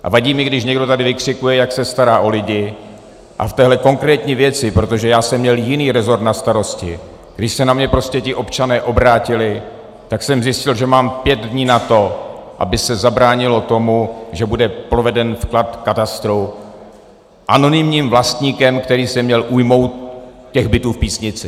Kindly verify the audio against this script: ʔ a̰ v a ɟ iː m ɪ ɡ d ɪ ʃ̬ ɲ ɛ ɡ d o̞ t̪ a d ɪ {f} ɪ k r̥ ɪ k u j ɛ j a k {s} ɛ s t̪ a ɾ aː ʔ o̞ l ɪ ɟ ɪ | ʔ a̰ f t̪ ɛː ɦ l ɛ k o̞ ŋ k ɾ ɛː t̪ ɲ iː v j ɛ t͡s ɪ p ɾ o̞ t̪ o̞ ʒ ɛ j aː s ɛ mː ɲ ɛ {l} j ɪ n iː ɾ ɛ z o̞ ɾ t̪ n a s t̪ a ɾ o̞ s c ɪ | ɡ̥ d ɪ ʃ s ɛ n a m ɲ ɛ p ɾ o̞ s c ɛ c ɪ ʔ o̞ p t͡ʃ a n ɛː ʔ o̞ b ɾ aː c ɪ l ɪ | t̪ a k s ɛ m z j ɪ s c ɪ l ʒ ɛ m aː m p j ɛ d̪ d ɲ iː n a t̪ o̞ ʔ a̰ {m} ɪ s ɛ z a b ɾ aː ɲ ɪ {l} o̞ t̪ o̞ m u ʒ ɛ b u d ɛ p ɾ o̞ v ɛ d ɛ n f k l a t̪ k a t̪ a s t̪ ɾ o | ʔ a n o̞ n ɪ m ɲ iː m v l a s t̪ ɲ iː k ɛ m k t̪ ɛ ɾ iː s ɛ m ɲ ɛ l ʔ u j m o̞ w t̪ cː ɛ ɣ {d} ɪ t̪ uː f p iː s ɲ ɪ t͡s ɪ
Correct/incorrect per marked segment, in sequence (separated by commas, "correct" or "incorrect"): incorrect, correct, correct, incorrect, correct, incorrect